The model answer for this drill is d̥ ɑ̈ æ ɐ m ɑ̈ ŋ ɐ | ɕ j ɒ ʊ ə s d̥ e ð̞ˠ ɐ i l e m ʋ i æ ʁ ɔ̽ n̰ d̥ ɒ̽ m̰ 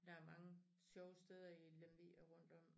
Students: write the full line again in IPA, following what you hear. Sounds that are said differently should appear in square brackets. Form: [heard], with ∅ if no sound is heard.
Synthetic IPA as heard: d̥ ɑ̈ æ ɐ m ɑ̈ ŋ [ə] | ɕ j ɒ ʊ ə s d̥ e ð̞ˠ ɐ i l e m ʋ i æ ʁ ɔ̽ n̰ d̥ ɒ̽ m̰

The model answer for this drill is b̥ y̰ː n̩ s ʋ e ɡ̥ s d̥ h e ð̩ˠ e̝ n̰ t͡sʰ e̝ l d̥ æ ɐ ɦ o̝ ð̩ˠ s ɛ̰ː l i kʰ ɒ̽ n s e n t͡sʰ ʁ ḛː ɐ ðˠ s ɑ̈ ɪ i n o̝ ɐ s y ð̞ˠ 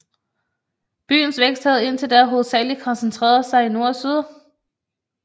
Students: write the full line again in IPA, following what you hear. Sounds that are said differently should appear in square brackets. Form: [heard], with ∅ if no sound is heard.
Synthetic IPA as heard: b̥ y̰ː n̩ s ʋ e ɡ̥ s d̥ h [æ] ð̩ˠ e̝ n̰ t͡sʰ e̝ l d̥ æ ɐ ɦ o̝ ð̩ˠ s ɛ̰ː l i kʰ ɒ̽ n s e n t͡sʰ ʁ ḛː ɐ ðˠ s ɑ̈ ɪ i n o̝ ɐ s y ð̞ˠ

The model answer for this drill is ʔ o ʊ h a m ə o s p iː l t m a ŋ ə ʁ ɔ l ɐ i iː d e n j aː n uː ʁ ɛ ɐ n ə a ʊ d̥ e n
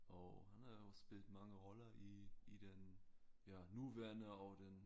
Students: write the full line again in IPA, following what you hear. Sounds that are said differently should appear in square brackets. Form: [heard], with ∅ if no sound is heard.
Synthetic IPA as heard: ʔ o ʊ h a [n] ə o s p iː l t m a ŋ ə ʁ ɔ l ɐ i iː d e n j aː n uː [v] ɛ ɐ n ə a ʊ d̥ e n

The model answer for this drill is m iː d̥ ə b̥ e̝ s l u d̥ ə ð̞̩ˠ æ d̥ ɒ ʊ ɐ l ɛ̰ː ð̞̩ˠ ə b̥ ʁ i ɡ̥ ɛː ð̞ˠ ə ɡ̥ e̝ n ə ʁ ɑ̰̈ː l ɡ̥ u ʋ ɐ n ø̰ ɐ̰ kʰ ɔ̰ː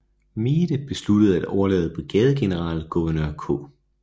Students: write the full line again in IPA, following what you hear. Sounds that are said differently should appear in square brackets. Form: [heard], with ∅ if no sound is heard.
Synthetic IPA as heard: m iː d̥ ə b̥ e̝ s l u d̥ ə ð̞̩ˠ æ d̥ ɒ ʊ ɐ l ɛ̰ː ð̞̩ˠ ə b̥ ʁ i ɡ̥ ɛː ð̞ˠ ə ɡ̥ e̝ n ə ʁ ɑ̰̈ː l ɡ̥ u ʋ ɐ n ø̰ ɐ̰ kʰ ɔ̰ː

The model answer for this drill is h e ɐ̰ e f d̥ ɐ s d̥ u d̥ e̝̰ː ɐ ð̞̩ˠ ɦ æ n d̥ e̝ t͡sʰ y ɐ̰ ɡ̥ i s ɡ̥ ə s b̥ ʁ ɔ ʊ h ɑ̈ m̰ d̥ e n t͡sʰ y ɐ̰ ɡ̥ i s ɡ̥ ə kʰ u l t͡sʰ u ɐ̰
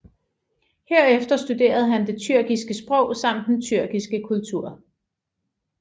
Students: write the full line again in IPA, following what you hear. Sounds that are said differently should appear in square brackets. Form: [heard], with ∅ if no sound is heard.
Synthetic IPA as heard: h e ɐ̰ e f d̥ ɐ s d̥ u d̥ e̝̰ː ɐ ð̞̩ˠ ɦ æ n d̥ e̝ t͡sʰ y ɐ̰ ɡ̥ i s ɡ̥ ə s b̥ ʁ ɔ ʊ [s] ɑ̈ m̰ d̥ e n t͡sʰ y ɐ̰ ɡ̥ i s ɡ̥ ə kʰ u l t͡sʰ u ɐ̰

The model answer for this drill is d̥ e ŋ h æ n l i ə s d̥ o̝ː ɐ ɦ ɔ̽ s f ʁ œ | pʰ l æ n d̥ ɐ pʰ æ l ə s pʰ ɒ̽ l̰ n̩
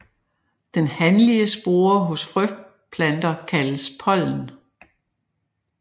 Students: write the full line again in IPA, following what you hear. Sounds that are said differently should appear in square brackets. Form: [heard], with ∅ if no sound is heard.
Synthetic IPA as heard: d̥ e [n] h æ n l i ə s [b̥] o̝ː ɐ ɦ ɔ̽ s f ʁ œ | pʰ l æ n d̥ ɐ [kʰ] æ l ə s pʰ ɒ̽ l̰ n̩

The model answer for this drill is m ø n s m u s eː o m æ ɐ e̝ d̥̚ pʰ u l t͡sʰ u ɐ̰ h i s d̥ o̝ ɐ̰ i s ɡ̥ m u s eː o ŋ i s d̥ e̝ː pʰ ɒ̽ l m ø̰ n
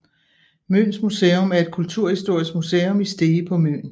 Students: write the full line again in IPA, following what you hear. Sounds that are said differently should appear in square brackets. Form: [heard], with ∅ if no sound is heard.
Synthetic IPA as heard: m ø n s m u s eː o m æ ɐ e̝ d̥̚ [kʰ] u l t͡sʰ u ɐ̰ h i s d̥ o̝ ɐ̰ i s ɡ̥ m u s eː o [m] i s d̥ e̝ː pʰ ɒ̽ [∅] m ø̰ n

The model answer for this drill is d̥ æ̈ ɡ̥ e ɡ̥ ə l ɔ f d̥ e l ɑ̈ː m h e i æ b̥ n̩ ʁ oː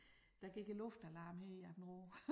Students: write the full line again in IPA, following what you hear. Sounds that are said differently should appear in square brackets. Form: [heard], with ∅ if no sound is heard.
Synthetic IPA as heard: d̥ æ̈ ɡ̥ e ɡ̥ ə l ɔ f d̥ [æ] l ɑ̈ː m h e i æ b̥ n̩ ʁ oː

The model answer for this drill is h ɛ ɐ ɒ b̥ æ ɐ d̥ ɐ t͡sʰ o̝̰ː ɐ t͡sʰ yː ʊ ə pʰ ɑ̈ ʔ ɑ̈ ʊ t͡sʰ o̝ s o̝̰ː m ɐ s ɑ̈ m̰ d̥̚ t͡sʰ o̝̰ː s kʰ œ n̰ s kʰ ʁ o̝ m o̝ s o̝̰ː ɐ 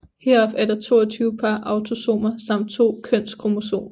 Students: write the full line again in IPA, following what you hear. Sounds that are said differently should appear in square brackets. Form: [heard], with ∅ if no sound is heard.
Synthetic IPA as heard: h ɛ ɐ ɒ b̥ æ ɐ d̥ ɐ t͡sʰ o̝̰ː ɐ t͡sʰ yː ʊ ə pʰ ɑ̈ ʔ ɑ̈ ʊ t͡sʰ o̝ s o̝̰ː m ɐ s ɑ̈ m̰ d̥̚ t͡sʰ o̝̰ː [∅] kʰ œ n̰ s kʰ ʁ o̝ m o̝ s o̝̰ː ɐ

